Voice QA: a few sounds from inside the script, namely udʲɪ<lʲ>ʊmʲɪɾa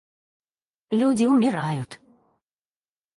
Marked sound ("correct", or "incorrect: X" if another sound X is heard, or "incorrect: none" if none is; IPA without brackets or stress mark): incorrect: none